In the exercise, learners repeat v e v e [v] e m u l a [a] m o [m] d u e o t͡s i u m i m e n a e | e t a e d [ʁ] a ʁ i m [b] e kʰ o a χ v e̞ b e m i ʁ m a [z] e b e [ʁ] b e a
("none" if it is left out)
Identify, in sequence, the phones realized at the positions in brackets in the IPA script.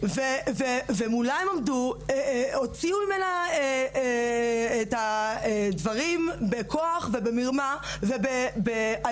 v, e, m, v, b, v, none

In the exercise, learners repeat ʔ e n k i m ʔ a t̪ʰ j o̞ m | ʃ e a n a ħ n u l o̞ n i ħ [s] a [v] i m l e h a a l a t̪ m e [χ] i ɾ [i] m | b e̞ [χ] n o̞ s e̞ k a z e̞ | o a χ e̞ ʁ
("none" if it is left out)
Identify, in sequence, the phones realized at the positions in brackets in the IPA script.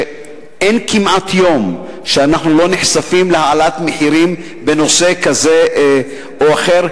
s, f, ħ, i, none

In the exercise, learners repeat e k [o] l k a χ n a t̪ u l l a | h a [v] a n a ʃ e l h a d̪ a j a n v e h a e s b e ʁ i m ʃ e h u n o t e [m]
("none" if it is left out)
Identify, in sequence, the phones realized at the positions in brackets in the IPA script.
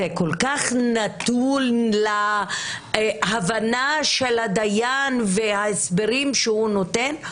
o, v, n

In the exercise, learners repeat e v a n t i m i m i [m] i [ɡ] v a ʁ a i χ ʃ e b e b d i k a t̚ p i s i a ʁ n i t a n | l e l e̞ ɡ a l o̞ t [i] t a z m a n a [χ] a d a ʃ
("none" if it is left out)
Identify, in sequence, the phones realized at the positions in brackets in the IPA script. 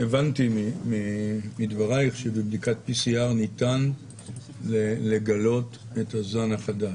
m, d, e, χ

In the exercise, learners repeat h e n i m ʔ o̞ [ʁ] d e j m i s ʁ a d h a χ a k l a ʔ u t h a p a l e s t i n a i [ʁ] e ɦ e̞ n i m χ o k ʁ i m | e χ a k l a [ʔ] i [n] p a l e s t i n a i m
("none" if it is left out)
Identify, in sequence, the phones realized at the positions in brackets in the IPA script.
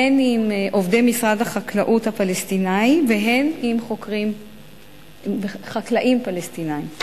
v, v, ʔ, m

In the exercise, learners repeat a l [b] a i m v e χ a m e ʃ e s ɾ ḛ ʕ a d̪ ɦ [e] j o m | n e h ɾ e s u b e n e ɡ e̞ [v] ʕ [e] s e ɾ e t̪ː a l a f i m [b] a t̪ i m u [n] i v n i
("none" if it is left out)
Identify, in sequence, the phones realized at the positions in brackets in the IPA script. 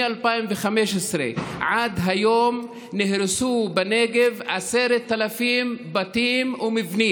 p, a, v, a, b, m

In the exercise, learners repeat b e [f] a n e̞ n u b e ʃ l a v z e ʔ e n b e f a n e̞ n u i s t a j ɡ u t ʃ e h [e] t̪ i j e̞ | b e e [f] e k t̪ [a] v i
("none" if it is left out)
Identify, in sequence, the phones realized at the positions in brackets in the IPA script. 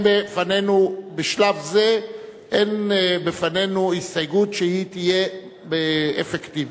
f, i, f, i

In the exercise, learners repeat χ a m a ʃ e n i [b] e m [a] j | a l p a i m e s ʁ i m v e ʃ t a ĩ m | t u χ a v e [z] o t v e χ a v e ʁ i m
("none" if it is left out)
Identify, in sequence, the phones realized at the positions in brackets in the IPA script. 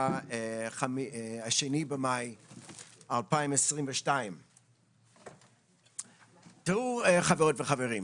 b, a, ʁ

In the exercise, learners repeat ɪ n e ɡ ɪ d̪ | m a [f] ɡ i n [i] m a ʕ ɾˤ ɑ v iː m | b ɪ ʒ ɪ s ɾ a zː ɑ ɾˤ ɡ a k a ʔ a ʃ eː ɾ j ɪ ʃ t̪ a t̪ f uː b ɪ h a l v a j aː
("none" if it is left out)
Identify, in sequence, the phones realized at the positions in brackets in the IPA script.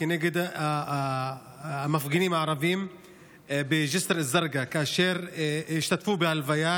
f, iː

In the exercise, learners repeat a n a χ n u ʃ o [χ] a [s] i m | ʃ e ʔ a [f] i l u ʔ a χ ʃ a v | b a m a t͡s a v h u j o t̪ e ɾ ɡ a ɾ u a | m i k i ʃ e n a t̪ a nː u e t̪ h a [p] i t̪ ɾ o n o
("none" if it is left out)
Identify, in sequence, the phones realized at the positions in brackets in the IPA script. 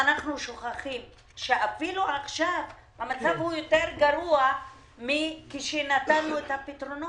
χ, χ, f, p

